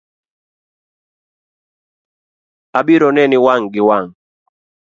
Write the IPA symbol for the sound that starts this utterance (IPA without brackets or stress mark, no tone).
a